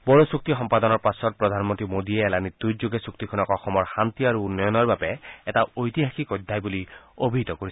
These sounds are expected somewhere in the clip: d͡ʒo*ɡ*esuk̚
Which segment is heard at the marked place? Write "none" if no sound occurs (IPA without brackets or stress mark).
ɡ